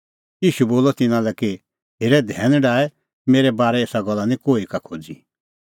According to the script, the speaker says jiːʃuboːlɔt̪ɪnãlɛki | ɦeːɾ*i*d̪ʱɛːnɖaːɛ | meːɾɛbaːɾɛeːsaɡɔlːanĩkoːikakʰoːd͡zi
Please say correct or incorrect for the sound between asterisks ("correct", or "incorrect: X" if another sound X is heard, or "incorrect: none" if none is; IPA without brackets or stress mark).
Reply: incorrect: ɛ